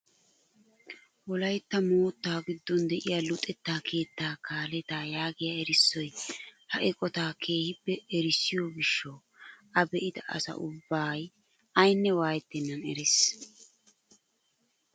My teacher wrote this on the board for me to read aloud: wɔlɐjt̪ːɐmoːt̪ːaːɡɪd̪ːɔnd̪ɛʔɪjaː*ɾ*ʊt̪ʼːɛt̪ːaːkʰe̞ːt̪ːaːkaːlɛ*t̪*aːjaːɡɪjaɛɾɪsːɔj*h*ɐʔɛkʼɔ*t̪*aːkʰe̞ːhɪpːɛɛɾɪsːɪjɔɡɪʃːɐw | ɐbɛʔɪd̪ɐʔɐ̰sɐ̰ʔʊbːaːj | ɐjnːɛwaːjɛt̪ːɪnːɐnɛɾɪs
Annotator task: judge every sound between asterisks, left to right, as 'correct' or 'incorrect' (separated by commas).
incorrect, correct, correct, correct